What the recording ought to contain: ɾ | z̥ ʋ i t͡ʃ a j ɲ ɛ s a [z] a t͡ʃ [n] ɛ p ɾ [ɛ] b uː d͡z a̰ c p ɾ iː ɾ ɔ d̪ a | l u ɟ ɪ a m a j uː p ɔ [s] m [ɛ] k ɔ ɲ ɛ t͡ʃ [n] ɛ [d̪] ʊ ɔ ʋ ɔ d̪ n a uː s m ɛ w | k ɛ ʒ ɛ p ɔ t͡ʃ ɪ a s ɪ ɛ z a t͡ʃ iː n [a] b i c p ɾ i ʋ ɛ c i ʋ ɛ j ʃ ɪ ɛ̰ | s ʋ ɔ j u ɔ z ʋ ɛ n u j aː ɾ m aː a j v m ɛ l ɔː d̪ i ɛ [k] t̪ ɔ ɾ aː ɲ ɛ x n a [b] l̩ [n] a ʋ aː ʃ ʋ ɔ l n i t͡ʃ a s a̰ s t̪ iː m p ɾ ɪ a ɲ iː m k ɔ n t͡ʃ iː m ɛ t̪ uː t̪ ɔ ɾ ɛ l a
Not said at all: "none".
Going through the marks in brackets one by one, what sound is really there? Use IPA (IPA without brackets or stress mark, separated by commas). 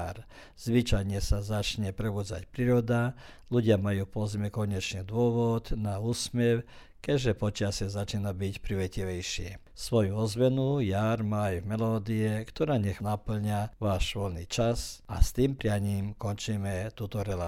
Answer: z, ɲ, ɛ, z, ɛ, ɲ, d̪, a, k, p, ɲ